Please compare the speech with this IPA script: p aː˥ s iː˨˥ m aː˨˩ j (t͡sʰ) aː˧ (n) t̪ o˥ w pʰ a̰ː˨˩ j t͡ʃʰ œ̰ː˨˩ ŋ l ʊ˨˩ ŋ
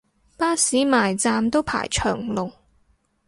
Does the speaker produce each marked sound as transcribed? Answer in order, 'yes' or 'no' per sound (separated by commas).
no, no